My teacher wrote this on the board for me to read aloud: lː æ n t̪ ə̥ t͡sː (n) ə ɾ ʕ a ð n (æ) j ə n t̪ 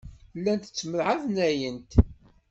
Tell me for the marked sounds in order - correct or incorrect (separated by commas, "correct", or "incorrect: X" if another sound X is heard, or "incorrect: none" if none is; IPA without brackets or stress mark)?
incorrect: m, correct